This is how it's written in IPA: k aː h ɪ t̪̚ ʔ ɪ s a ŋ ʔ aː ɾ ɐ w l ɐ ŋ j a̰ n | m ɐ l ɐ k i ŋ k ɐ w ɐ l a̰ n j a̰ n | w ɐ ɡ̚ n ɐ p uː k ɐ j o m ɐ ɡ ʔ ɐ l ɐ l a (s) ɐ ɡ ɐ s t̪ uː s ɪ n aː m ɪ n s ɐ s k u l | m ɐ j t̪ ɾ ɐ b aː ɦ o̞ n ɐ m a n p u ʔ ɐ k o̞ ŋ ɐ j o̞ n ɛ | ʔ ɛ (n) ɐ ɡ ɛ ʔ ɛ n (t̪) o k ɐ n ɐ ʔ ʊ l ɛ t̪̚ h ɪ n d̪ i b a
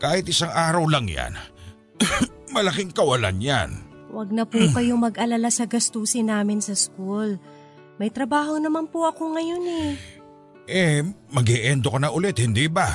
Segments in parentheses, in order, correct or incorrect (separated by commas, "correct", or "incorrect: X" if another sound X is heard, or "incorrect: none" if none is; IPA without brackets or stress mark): correct, incorrect: m, incorrect: d̪